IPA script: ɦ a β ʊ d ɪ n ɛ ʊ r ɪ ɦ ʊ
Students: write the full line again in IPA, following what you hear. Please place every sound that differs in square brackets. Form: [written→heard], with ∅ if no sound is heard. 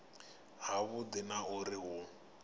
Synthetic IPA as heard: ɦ a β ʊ d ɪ n [ɛ→a] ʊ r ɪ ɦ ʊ